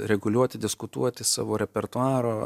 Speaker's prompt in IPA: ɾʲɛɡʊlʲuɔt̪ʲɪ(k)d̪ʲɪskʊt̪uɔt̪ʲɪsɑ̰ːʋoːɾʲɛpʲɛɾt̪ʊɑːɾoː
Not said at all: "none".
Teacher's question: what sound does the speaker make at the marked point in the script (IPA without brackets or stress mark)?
none